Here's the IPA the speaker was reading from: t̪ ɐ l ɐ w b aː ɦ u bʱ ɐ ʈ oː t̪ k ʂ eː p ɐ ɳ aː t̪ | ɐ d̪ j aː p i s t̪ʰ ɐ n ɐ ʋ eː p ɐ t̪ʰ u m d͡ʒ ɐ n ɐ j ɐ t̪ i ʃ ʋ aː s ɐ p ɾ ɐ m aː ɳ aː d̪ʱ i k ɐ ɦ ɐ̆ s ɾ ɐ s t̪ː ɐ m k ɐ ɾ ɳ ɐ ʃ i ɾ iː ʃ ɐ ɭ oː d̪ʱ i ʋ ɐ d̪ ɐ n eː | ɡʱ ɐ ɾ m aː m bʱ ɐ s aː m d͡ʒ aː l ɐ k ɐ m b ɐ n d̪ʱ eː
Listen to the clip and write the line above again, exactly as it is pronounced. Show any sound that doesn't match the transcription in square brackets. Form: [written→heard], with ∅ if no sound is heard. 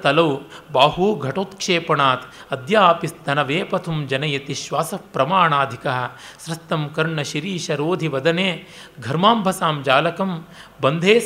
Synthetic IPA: t̪ ɐ l ɐ w b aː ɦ u [bʱ→ɡʱ] ɐ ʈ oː t̪ k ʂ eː p ɐ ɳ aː t̪ | ɐ d̪ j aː p i s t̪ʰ ɐ n ɐ ʋ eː p ɐ t̪ʰ u m d͡ʒ ɐ n ɐ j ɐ t̪ i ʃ ʋ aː s ɐ p ɾ ɐ m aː ɳ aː d̪ʱ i k ɐ ɦ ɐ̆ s ɾ ɐ s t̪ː ɐ m k ɐ ɾ ɳ ɐ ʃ i ɾ iː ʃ ɐ [ɭ→ɾ] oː d̪ʱ i ʋ ɐ d̪ ɐ n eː | ɡʱ ɐ ɾ m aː m bʱ ɐ s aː m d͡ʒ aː l ɐ k ɐ m b ɐ n d̪ʱ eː